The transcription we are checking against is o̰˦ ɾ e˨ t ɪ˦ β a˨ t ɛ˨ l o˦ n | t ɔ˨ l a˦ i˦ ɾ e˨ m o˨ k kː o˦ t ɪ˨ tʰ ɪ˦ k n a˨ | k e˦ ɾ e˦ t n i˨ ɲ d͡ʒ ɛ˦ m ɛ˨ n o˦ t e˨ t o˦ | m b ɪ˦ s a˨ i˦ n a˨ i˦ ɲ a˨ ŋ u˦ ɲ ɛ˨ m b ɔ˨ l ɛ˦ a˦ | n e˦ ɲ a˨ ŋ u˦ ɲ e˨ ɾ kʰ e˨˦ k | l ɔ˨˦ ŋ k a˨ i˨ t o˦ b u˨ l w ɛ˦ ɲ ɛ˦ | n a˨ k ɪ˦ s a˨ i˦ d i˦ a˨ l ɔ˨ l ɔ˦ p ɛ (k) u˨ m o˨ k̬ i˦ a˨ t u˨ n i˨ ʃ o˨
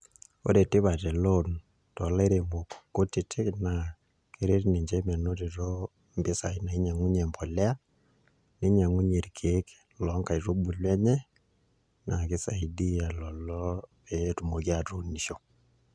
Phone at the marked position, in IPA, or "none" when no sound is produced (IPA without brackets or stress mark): t